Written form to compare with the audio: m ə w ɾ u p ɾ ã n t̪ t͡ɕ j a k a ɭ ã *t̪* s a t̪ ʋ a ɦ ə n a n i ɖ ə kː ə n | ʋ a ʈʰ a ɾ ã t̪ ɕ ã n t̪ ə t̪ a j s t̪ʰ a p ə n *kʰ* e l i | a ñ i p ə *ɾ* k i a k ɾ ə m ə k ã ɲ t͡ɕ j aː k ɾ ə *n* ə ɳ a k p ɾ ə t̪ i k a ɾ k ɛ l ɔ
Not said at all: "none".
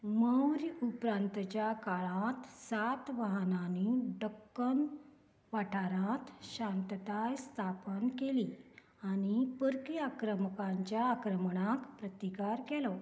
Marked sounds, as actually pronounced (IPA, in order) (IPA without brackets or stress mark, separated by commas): t̪, k, ɾ, m